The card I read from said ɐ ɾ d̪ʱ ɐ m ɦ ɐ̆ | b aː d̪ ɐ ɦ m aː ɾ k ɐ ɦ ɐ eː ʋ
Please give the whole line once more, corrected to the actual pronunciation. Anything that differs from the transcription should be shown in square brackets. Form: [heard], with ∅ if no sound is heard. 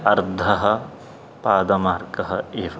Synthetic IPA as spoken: ɐ ɾ d̪ʱ ɐ [∅] ɦ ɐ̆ | [p] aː d̪ ɐ [∅] m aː ɾ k ɐ ɦ ɐ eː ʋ